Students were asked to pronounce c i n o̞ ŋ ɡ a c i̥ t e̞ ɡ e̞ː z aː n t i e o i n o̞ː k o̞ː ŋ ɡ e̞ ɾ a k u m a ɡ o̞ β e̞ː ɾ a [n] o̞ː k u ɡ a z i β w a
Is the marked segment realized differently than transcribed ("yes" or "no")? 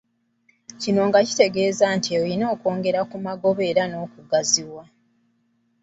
no